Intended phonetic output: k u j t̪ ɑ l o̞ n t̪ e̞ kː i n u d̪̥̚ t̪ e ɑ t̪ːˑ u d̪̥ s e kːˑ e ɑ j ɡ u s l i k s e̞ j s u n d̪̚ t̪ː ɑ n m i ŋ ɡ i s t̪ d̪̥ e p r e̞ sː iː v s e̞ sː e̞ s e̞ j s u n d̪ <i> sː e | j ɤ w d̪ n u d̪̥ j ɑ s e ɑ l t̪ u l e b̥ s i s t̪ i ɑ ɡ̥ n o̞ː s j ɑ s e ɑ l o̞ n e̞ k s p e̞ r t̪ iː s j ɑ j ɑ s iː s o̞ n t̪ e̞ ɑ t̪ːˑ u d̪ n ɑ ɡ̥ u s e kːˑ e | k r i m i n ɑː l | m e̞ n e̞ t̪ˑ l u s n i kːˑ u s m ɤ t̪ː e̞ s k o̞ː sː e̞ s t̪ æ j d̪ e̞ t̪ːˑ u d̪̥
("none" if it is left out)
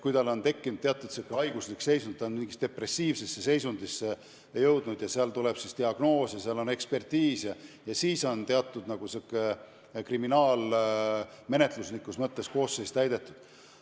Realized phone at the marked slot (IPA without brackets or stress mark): i